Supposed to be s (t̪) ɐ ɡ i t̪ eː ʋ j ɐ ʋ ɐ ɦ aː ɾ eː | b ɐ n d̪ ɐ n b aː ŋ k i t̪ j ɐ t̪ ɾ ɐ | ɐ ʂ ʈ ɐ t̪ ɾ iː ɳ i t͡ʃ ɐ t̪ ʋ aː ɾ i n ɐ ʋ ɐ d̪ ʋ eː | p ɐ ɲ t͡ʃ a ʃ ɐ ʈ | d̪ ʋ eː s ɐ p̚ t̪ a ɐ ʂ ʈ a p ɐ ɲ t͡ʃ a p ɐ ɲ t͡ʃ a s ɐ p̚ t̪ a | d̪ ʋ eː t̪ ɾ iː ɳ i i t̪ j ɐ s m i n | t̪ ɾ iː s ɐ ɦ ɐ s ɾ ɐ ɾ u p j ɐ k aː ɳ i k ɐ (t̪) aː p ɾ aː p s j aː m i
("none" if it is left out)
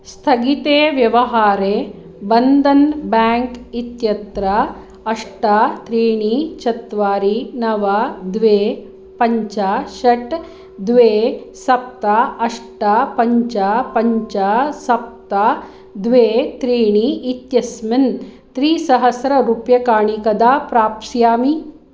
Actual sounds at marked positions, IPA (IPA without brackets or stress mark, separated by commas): t̪ʰ, d̪